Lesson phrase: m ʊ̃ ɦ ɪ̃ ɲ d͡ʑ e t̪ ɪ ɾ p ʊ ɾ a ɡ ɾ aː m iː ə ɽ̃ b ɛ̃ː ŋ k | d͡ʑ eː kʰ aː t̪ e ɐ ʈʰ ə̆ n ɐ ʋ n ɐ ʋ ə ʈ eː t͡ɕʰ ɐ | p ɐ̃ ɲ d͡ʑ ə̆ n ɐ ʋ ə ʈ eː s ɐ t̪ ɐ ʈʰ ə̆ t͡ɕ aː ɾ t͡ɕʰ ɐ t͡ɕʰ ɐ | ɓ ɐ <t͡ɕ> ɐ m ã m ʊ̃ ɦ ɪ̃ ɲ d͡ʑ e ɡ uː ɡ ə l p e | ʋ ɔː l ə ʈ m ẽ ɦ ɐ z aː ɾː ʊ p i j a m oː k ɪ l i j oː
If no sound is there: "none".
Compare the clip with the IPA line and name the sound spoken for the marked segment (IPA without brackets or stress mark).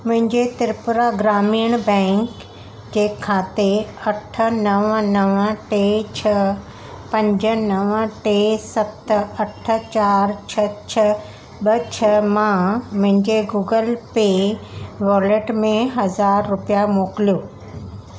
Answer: t͡ɕʰ